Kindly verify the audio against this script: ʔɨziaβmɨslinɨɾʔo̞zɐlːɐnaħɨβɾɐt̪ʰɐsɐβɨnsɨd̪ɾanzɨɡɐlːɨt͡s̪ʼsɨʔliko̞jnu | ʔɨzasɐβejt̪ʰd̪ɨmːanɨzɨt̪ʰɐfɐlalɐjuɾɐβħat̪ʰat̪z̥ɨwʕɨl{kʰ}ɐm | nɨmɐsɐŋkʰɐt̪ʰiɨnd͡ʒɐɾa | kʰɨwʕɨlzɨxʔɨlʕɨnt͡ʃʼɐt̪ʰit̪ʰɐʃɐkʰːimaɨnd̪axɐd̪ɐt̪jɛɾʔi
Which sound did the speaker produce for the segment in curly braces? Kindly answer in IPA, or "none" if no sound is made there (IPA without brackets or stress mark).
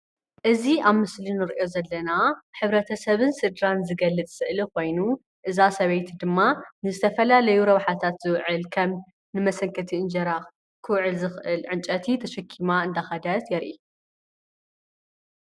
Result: kʰ